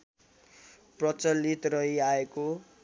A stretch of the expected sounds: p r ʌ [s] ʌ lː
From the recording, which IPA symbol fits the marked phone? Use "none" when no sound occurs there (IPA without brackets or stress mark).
t͡s